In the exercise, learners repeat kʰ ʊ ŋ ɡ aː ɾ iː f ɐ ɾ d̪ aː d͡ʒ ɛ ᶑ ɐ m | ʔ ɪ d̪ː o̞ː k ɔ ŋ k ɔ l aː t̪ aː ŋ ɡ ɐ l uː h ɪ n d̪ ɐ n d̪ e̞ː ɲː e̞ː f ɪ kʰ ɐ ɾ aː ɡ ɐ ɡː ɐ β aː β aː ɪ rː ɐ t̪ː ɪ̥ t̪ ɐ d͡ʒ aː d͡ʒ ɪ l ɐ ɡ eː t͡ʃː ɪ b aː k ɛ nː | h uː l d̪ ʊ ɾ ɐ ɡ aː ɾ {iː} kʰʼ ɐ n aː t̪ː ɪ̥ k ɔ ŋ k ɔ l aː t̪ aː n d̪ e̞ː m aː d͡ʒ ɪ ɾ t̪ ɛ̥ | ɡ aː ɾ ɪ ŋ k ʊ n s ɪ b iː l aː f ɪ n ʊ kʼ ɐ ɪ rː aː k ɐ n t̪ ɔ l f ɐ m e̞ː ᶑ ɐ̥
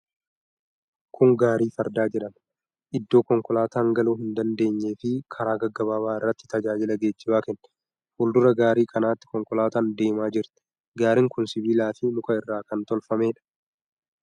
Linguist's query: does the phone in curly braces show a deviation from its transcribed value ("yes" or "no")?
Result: no